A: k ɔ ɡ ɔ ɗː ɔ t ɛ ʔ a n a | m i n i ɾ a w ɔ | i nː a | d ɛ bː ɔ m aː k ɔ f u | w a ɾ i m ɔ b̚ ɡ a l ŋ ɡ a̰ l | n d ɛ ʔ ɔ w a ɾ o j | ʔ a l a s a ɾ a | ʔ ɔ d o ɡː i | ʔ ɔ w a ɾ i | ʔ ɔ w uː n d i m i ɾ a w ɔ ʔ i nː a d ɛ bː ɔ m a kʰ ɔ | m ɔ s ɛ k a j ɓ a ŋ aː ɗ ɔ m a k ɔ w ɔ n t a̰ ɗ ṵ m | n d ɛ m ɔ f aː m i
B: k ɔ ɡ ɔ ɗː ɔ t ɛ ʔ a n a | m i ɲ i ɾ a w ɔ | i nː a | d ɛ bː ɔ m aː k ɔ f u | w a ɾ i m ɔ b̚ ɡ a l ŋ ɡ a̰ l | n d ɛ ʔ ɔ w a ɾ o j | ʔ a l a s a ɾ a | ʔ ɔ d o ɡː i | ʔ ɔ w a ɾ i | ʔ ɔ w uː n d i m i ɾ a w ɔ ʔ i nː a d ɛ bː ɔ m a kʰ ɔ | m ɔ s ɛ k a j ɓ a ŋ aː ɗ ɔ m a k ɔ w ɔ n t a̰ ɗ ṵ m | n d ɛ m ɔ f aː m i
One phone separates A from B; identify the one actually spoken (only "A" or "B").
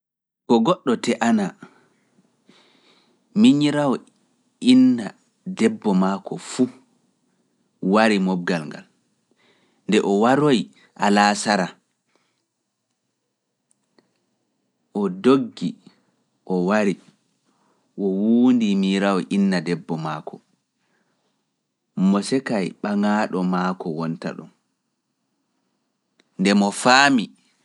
B